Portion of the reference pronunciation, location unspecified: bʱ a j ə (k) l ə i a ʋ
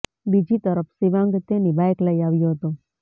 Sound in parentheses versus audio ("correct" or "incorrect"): correct